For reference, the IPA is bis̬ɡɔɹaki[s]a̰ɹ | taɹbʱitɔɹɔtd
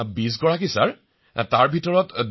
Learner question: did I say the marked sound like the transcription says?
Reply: yes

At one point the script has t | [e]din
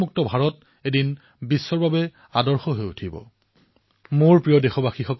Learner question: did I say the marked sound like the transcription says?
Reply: yes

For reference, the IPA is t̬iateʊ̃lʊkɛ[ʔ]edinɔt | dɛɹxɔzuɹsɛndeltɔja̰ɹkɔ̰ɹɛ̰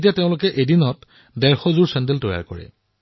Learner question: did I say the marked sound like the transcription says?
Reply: yes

